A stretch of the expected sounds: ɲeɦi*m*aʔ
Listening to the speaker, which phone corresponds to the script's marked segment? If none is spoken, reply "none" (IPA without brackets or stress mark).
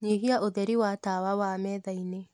none